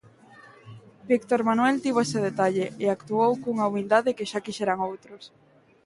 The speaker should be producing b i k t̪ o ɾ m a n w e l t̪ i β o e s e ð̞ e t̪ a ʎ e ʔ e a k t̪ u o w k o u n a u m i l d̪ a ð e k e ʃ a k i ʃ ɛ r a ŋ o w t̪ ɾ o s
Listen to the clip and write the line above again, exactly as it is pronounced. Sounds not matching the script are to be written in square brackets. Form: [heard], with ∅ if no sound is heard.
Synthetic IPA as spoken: b i k t̪ o ɾ m a n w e l t̪ i β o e s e ð̞ e t̪ a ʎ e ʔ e a k t̪ u o w k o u [ŋ] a u m i l d̪ a ð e k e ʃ a k i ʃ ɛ [ɾ] a ŋ o w t̪ ɾ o s